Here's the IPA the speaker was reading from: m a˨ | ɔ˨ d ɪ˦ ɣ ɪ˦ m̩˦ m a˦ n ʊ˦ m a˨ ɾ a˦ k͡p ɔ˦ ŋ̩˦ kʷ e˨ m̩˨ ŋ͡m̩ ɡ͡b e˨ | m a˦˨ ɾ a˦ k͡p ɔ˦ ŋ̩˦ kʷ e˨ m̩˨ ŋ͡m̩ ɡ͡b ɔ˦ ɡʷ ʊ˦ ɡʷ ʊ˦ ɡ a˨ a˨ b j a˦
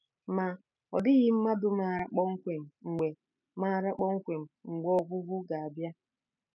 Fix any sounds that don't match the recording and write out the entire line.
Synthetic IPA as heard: m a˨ | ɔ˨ d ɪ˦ ɣ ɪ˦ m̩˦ m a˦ d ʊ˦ m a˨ ɾ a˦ k͡p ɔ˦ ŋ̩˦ kʷ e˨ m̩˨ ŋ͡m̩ ɡ͡b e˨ | m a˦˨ ɾ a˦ k͡p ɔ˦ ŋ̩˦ kʷ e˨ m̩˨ ŋ͡m̩ ɡ͡b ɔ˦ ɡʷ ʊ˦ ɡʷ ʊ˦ ɡ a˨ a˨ b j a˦

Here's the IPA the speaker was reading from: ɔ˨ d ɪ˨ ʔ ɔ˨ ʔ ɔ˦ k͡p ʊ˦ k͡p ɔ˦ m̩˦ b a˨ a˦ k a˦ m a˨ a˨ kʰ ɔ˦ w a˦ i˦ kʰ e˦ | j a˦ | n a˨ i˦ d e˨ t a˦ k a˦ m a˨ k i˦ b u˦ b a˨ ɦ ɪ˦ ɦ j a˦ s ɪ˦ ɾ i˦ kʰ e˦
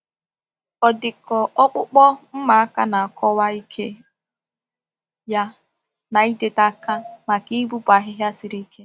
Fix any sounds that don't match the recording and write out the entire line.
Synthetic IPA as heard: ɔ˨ d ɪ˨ k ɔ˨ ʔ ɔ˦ k͡p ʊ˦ k͡p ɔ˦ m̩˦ m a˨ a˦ k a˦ n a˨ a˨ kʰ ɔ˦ w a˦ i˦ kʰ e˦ | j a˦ | n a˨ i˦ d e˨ t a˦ k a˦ m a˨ k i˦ b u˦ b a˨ ɦ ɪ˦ ɦ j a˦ s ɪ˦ ɾ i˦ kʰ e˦

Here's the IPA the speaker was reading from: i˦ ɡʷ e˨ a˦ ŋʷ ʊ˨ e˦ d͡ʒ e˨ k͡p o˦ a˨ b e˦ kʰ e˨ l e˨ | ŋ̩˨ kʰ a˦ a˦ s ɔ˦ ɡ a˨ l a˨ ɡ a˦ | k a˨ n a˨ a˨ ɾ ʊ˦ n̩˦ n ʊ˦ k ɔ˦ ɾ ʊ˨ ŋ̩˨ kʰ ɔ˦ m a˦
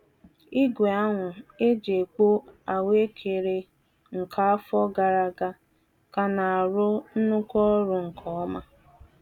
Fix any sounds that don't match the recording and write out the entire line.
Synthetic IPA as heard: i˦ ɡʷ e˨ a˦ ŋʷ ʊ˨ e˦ d͡ʒ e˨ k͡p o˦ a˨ w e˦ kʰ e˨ ɾ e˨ | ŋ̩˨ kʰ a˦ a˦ f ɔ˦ ɡ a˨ ɾ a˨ ɡ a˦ | k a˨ n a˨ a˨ ɾ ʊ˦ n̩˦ n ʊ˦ k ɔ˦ ɾ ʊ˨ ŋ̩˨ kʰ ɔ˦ m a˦

